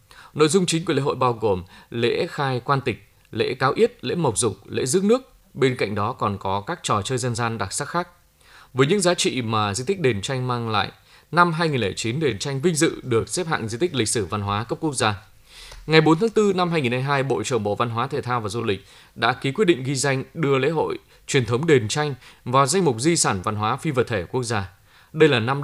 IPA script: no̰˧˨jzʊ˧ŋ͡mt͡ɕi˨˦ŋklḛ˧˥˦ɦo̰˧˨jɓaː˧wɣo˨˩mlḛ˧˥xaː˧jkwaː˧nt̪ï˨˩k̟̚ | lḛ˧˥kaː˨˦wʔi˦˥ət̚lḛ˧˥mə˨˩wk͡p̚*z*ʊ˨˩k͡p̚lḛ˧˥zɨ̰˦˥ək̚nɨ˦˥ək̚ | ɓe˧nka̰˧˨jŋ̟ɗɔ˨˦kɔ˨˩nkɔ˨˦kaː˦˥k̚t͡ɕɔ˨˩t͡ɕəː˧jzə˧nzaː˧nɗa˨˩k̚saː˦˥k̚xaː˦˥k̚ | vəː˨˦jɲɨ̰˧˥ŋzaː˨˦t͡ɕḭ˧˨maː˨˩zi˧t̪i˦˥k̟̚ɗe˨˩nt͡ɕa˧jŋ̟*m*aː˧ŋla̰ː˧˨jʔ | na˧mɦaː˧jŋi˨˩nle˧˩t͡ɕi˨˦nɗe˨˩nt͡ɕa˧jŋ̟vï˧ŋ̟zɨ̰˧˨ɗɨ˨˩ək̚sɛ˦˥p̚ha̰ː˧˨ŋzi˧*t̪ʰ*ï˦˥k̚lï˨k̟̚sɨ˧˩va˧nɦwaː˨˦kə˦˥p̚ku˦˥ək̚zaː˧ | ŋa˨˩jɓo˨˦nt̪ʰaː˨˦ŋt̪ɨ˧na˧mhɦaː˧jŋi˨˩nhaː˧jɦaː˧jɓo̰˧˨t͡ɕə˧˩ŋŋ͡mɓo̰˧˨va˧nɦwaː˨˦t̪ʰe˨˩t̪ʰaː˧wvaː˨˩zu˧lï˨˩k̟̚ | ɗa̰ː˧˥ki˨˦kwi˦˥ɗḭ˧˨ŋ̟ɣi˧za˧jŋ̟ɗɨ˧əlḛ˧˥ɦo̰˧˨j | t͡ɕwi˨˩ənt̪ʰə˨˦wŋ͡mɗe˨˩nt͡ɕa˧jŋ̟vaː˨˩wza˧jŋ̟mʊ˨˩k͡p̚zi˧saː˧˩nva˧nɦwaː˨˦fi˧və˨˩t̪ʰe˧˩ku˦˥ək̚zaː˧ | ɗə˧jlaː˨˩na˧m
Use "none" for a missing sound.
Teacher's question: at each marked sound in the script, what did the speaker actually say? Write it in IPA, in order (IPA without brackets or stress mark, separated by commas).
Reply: z, m, t̪